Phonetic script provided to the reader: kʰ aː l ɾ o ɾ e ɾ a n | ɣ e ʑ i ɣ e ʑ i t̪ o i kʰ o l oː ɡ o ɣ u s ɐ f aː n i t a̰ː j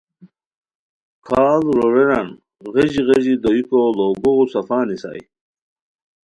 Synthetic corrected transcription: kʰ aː l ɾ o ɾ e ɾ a n | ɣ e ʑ i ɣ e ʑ i d̪ o i k o l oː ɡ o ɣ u s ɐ f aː n i s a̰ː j